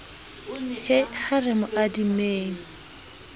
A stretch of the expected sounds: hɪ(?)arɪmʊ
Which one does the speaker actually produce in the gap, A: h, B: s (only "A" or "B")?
A